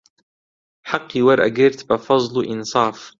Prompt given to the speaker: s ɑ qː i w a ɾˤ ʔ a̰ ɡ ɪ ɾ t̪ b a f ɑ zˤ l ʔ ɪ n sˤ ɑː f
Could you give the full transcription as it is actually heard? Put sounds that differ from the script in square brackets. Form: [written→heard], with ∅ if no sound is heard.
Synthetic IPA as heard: [s→ħ] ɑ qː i w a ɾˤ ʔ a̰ ɡ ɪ ɾ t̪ b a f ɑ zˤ l ʔ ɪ n sˤ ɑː f